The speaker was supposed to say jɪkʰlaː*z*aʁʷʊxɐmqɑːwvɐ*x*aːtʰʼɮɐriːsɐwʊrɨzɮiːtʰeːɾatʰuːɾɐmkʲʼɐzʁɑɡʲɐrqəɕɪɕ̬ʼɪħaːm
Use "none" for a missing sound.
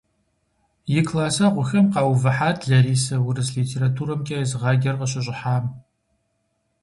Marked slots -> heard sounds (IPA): s, ħ

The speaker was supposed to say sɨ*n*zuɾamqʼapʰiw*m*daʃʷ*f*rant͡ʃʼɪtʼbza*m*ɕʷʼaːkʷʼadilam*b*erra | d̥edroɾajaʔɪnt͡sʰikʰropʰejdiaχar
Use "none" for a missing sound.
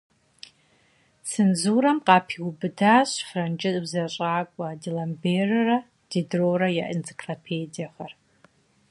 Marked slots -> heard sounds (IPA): n, b, f, none, b

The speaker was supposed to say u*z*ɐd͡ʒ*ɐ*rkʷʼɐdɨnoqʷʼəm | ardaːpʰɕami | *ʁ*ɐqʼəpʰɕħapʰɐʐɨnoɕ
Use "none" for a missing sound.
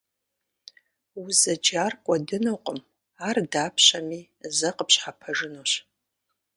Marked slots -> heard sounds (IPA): z, a, z

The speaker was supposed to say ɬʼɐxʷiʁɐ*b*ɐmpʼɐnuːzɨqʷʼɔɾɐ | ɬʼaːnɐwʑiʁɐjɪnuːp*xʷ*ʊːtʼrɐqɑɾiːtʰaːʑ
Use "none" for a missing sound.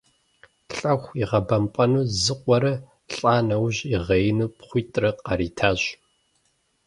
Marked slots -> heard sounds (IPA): b, χʷ

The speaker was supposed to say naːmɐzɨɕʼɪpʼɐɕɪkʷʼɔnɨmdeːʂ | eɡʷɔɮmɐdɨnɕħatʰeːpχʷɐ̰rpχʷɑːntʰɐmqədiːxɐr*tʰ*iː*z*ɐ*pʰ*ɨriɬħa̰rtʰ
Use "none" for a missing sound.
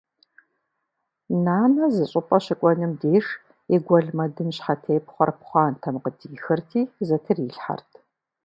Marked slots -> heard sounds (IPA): tʰ, z, tʰ

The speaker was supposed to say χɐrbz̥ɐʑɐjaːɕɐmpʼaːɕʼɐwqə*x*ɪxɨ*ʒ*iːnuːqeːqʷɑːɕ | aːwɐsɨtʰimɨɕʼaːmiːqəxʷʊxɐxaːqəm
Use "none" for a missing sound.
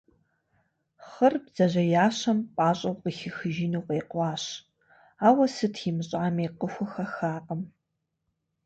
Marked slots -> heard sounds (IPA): x, ʒ

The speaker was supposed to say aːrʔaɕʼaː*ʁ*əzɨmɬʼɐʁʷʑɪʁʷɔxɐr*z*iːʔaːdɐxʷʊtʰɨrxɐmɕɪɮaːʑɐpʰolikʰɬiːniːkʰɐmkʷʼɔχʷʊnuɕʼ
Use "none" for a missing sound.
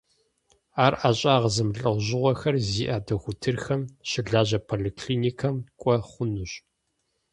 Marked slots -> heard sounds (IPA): ʁ, z

